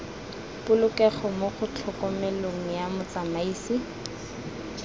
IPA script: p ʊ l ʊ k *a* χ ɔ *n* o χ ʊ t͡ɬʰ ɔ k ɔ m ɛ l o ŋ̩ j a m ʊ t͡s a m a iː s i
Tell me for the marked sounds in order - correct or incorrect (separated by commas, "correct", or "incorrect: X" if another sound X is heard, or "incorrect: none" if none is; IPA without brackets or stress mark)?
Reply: incorrect: ɛ, incorrect: m